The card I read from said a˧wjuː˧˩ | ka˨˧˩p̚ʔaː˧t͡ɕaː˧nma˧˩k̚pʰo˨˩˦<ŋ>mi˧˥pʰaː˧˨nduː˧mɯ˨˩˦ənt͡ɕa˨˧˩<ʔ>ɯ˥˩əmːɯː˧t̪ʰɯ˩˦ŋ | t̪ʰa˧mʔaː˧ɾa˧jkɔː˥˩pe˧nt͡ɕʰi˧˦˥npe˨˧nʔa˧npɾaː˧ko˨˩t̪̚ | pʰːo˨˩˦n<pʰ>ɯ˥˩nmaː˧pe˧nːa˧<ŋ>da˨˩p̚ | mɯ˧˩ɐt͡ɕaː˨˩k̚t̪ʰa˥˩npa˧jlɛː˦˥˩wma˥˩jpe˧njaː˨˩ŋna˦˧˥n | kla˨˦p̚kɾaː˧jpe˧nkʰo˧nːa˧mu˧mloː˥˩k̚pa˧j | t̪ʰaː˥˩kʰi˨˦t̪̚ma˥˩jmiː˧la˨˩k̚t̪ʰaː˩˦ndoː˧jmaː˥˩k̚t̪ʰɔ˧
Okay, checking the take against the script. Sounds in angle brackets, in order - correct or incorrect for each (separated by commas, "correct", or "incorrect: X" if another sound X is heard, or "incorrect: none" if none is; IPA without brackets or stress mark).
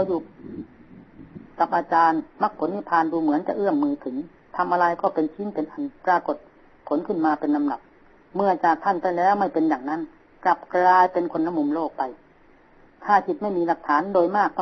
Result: incorrect: n, correct, incorrect: kʰ, incorrect: m